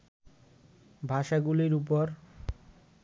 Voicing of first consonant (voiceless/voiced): voiced